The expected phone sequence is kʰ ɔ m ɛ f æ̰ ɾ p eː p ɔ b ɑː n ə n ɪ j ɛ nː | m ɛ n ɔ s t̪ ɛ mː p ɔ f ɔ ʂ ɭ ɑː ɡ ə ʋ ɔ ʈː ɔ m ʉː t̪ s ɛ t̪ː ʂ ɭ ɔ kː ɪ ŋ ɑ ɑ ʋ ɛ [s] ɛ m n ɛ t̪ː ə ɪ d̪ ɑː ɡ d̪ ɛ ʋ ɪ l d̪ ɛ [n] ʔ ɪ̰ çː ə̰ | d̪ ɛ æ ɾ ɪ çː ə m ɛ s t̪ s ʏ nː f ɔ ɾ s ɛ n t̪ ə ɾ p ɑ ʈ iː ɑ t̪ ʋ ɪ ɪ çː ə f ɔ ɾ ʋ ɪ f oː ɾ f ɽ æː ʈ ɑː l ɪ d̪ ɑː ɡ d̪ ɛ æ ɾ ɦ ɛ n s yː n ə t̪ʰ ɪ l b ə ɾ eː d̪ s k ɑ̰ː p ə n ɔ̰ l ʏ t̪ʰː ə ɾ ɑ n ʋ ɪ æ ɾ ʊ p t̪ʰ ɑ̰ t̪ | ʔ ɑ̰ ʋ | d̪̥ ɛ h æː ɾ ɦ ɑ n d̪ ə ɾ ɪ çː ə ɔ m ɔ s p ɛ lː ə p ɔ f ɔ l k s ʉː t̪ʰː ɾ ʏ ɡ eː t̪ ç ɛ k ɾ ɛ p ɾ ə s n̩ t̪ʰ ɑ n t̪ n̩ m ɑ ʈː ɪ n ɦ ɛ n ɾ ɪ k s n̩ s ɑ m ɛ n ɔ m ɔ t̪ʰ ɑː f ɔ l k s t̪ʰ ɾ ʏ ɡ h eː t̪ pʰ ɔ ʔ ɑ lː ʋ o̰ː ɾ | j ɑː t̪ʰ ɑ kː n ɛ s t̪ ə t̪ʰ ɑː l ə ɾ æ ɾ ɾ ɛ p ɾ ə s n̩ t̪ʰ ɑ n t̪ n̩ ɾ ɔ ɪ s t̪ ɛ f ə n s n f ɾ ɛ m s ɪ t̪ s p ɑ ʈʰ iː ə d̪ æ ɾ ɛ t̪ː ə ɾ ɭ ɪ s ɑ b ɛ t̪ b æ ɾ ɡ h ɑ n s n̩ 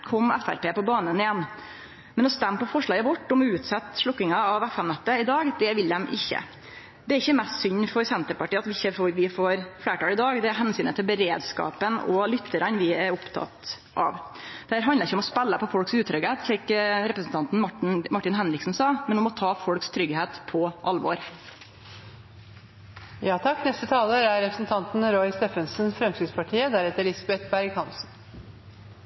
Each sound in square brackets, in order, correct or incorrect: incorrect, incorrect

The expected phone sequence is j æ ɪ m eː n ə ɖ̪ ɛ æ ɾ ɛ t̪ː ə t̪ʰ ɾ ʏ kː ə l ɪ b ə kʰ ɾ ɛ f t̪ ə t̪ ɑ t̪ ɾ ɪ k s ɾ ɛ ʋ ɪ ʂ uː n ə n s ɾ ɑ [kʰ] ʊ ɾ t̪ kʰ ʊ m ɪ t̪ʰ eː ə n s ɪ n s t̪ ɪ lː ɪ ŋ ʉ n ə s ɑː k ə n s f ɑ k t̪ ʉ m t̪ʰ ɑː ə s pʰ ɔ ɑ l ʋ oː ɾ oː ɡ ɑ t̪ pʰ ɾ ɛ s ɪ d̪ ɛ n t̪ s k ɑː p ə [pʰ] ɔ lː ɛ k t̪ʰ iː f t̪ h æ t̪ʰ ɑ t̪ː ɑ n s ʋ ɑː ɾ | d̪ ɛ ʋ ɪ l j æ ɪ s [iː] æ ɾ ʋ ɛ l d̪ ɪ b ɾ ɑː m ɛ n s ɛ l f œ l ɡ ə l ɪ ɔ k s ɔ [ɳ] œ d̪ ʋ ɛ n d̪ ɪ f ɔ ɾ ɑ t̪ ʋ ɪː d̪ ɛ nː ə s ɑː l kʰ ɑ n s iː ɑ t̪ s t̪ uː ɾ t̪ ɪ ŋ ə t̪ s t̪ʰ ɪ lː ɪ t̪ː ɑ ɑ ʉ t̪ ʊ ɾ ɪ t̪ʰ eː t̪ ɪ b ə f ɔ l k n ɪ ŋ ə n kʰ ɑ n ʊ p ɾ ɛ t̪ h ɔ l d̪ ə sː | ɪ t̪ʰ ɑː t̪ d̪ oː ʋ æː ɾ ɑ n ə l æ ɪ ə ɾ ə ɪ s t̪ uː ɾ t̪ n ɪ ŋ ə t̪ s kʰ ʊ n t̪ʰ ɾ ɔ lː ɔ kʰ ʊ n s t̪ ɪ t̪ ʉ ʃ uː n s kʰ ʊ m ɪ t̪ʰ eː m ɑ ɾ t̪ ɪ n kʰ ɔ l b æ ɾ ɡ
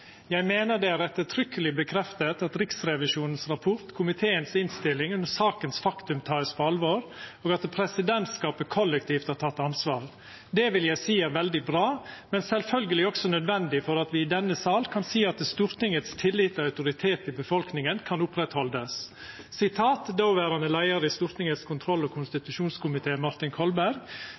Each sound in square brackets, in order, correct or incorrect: incorrect, incorrect, correct, incorrect

